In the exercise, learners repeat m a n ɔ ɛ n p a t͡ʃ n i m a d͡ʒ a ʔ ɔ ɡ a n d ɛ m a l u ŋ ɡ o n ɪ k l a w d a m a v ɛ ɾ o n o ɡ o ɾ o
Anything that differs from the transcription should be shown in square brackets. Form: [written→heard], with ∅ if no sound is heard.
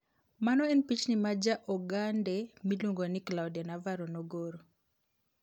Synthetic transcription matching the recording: m a n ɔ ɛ n p [a→i] t͡ʃ n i m a d͡ʒ a ʔ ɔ ɡ a n d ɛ m [a→i] l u ŋ ɡ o n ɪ k l a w d a [m→n] a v [ɛ→a] ɾ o n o ɡ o ɾ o

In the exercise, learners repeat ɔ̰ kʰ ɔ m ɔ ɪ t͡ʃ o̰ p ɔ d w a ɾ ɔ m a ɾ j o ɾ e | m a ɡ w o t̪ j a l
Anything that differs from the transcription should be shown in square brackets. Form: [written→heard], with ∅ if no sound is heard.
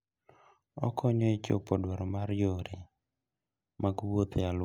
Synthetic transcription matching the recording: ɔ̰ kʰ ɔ [m→ɲ] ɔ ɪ t͡ʃ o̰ p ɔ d w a ɾ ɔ m a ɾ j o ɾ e | m a ɡ w o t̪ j a l

